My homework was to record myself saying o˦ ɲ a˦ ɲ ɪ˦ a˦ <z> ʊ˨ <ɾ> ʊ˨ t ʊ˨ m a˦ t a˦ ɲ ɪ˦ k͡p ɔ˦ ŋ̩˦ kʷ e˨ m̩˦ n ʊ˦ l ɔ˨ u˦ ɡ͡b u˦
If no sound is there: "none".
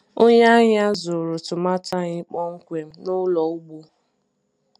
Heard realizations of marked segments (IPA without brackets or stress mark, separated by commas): z, ɾ